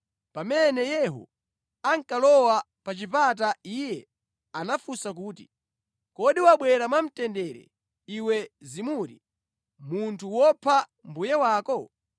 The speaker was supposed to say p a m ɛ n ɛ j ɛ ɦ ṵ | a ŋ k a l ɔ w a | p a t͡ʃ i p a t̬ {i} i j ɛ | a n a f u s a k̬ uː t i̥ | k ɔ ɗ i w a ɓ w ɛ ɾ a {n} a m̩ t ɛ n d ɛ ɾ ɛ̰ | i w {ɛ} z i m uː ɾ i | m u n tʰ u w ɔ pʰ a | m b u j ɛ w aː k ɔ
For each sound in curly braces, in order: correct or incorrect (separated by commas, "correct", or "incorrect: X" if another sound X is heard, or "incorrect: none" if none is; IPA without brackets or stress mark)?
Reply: incorrect: a, incorrect: m, correct